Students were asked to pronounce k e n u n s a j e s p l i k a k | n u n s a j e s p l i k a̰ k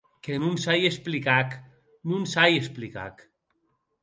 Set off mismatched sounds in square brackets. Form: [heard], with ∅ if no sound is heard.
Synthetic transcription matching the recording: k e n u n s a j e s p l i k a k | n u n s a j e s p l i k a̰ k